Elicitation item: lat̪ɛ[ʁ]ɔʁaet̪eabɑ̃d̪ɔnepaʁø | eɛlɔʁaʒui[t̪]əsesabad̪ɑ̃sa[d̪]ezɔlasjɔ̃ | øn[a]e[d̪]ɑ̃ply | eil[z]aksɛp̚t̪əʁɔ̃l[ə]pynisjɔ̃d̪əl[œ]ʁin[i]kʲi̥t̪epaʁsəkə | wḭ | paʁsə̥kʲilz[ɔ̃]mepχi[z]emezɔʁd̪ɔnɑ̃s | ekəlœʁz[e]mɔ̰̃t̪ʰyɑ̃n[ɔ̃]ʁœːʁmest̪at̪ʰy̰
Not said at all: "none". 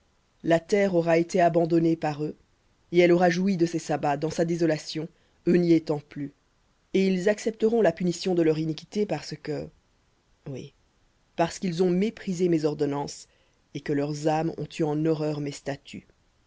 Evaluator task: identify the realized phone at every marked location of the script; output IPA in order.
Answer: ʁ, d̪, d̪, i, t̪, z, a, œ, i, ɔ̃, z, a, ɔ

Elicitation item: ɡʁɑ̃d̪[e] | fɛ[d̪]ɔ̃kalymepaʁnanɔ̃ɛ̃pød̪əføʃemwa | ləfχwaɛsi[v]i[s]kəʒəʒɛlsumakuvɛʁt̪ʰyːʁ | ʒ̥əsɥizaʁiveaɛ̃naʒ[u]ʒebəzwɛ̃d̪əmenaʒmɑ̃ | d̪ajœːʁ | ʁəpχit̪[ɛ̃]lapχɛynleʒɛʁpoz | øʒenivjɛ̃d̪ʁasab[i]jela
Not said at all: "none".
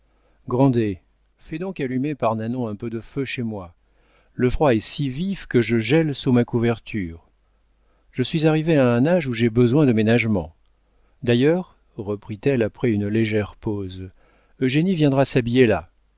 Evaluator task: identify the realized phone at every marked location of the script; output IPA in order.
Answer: e, d̪, v, f, u, ɛ, i

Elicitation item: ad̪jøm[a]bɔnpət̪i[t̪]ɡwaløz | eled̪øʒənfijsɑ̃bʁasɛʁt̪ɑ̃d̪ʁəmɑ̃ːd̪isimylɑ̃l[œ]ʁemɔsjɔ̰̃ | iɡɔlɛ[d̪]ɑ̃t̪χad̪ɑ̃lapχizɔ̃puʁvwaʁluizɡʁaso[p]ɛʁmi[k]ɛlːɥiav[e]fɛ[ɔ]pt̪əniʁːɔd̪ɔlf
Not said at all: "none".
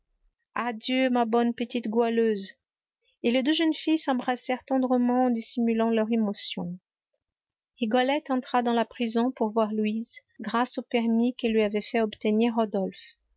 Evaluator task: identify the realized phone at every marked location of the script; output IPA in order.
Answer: a, t̪, œ, t̪, p, k, ɛ, ɔ

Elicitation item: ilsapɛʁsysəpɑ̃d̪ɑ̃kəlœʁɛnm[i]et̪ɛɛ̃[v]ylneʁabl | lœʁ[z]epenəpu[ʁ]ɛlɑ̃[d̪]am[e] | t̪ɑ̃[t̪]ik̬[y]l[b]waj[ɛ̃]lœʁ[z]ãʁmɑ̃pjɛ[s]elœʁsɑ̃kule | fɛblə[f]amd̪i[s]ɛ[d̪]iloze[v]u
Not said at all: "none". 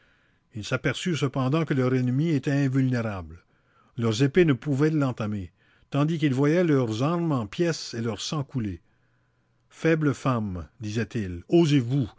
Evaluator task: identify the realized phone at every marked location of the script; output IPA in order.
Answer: i, v, z, v, t̪, e, d̪, i, v, ɛ, z, s, f, z, t̪, v

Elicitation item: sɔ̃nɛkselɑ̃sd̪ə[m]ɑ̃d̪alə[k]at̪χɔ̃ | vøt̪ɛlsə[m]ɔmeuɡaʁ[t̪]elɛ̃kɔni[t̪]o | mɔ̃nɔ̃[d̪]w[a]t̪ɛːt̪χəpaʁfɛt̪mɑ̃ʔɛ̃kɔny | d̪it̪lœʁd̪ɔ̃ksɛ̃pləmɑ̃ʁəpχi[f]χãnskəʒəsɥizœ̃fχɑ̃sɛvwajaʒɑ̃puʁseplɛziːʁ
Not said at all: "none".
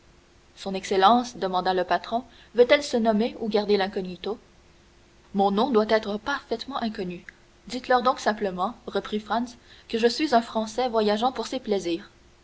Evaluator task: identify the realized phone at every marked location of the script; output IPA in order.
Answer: m, p, n, d̪, t̪, d̪, a, f

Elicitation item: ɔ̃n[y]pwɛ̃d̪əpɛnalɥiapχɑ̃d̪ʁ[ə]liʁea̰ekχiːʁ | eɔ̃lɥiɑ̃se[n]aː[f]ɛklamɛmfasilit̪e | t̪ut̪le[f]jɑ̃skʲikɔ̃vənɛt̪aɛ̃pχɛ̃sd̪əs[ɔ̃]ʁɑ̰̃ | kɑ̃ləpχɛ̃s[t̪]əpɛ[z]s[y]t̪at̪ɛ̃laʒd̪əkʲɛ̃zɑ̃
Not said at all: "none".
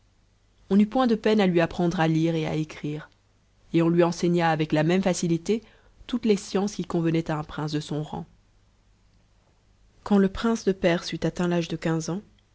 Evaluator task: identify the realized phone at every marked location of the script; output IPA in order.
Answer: y, a, ɲ, v, s, ɔ̃, d̪, ʁ, y

